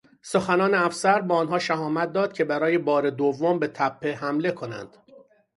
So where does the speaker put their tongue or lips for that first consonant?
tongue tip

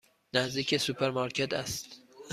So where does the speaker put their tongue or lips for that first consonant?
tongue tip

